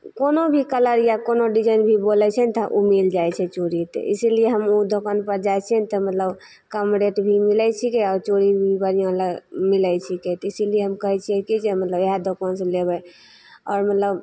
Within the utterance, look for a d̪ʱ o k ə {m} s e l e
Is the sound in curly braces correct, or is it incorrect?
incorrect